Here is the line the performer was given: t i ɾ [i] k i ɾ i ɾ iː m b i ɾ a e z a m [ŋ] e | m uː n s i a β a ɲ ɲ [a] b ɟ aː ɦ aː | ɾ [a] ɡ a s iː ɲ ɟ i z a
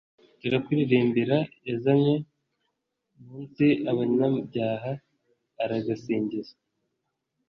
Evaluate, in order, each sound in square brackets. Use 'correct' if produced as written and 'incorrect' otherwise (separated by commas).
incorrect, incorrect, correct, correct